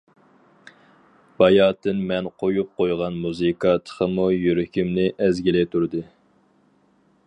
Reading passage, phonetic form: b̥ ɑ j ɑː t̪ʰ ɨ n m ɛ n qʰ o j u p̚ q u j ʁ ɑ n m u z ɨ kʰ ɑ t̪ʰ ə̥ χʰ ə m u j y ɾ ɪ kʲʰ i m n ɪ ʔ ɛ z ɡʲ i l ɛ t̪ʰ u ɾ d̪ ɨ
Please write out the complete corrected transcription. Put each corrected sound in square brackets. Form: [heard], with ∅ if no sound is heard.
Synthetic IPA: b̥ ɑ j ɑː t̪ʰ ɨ n m ɛ n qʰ o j u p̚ q [o] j ʁ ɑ n m u z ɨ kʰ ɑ t̪ʰ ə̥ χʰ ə m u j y ɾ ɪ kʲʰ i m n ɪ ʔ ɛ z ɡʲ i l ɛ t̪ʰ u ɾ d̪ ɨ